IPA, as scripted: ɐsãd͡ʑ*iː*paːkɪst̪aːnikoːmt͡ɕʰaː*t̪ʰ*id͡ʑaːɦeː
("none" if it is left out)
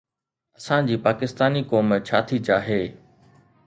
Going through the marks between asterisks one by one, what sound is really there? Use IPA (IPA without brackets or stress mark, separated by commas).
iː, t̪ʰ